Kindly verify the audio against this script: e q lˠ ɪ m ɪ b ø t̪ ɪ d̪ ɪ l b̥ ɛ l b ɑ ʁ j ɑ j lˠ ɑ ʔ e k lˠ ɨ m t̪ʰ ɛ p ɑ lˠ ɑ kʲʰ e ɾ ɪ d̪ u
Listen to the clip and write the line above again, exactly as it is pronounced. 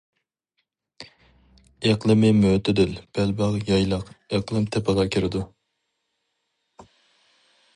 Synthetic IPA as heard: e q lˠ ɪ m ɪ m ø t̪ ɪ d̪ ɪ l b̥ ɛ l b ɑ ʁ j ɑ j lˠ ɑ q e q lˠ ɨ m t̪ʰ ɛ p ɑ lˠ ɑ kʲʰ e ɾ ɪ d̪ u